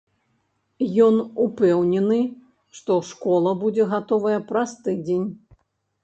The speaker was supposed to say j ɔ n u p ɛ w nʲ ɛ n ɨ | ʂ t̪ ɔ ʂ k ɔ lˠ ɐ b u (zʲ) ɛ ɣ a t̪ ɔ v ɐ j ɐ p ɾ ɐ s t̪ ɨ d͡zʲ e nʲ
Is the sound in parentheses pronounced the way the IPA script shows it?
no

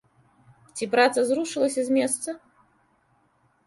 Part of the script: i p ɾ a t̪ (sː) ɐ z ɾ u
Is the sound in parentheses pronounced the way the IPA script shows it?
no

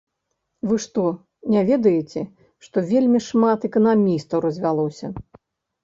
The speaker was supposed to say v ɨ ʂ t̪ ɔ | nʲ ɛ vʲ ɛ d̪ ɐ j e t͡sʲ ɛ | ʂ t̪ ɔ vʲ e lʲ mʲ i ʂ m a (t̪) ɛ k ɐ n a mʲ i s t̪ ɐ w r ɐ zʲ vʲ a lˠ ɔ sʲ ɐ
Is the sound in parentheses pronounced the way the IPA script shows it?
yes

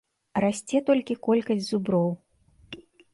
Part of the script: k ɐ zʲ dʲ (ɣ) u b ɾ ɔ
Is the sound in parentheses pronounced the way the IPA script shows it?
no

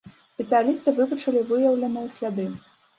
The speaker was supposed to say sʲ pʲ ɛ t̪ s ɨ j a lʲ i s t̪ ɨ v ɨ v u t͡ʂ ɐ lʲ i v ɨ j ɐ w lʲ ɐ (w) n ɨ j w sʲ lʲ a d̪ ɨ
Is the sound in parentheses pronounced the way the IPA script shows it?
no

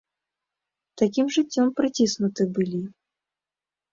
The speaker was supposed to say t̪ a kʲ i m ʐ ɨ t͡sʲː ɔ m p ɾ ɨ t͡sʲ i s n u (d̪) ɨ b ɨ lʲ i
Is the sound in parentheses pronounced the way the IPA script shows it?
no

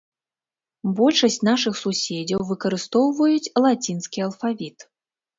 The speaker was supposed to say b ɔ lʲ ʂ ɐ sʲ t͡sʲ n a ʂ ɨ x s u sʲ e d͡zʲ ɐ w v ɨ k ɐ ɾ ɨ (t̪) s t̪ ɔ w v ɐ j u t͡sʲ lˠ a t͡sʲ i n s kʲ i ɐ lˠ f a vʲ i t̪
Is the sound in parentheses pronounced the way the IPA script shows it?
no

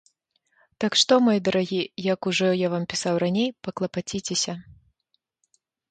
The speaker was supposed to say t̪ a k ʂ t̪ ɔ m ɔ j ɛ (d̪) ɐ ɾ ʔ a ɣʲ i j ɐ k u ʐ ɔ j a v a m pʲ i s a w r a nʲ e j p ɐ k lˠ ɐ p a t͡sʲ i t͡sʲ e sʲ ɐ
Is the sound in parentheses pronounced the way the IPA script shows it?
yes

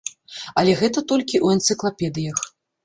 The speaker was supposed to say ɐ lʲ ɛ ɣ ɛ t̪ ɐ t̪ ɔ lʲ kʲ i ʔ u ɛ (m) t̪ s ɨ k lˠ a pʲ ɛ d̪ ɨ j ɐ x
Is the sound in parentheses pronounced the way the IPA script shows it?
no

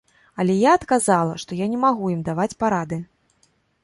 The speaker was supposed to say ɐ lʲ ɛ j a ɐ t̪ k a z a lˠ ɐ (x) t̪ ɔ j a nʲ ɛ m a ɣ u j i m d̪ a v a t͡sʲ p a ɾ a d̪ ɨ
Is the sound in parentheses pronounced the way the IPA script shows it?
no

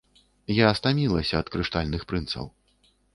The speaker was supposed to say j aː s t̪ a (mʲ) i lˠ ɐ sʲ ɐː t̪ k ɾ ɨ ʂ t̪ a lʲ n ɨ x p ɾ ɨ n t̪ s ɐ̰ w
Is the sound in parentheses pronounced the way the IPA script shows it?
yes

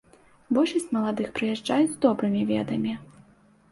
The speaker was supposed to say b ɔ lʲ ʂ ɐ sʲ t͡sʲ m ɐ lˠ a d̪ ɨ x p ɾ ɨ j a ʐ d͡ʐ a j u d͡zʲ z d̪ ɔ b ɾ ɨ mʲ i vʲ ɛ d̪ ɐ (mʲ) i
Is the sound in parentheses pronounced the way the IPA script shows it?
yes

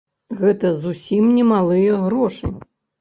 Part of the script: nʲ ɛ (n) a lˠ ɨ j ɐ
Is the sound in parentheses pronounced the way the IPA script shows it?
no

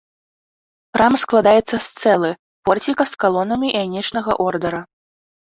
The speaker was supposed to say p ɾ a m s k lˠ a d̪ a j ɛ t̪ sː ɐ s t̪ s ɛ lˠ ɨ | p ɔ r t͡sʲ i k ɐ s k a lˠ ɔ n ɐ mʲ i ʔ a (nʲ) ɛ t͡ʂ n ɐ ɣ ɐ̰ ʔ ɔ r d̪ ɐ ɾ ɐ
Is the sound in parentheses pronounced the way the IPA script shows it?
yes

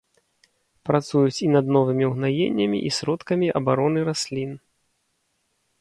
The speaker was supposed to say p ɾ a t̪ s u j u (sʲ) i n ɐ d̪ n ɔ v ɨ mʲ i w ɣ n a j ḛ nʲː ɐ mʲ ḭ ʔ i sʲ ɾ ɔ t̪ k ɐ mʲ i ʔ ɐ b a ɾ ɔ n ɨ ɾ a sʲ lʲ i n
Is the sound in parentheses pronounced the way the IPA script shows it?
no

